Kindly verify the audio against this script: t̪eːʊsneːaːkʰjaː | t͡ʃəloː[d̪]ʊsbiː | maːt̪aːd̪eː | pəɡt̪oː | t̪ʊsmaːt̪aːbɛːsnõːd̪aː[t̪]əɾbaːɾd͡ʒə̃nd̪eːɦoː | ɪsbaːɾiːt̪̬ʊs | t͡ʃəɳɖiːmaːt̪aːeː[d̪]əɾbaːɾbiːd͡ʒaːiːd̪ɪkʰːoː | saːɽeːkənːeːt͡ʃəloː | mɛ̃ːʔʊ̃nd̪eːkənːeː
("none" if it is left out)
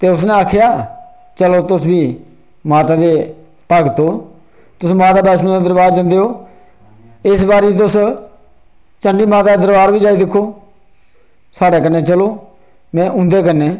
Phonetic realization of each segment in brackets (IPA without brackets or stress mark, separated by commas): t̪, d̪, d̪